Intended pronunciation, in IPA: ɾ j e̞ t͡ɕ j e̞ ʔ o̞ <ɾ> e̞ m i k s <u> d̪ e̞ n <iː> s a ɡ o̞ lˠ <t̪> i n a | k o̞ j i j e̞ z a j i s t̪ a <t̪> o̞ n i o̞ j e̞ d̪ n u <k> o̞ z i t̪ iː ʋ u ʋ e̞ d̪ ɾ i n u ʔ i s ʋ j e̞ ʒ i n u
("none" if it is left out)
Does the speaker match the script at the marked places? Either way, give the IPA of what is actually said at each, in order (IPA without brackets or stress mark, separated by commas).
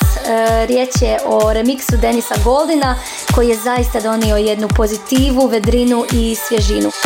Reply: ɾ, u, i, d̪, d̪, p